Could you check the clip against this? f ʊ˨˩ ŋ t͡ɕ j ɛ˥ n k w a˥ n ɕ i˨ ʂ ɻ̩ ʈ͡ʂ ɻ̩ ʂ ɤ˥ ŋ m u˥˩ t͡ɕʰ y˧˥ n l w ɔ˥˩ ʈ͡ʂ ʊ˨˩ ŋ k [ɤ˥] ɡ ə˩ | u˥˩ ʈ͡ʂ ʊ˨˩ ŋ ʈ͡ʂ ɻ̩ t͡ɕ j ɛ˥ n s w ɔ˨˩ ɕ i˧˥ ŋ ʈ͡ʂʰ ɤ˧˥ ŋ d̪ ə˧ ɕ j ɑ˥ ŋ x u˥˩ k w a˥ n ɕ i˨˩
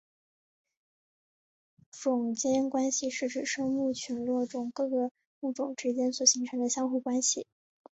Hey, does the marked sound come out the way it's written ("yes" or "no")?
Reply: no